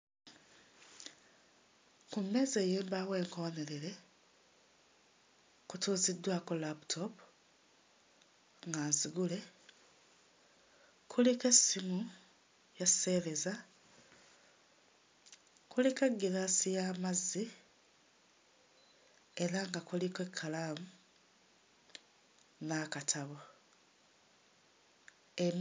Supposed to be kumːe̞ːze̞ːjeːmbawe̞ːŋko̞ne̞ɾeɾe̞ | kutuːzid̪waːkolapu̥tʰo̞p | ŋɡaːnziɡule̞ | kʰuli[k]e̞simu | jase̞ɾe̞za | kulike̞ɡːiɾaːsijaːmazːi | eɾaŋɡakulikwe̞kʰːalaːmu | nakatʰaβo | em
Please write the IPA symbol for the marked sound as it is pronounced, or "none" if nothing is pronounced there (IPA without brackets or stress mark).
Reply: k